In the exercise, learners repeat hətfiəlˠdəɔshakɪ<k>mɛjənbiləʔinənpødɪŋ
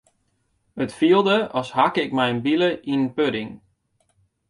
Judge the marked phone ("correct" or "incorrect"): correct